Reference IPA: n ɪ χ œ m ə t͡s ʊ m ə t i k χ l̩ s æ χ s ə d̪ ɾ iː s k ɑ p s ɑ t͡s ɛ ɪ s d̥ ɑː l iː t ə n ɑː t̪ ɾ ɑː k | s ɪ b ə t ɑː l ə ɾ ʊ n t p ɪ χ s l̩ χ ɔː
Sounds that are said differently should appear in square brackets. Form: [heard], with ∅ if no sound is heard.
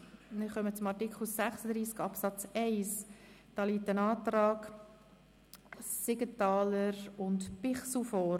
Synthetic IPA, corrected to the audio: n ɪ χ œ m ə t͡s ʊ m [ɑ] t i k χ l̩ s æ χ s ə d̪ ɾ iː s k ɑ p s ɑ t͡s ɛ ɪ s d̥ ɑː l iː t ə n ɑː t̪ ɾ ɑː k | s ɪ [ɡ] ə t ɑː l ə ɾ ʊ n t p ɪ χ s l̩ [f] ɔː